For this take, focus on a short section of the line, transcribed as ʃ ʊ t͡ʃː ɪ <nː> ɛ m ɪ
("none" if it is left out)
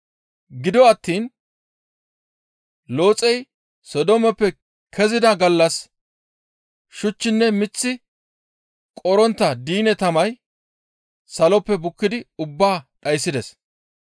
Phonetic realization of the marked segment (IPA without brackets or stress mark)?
nː